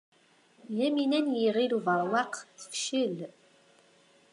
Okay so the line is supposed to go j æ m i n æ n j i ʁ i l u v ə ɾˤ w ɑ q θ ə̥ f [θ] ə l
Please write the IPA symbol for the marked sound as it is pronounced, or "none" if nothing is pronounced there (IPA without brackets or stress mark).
ʃ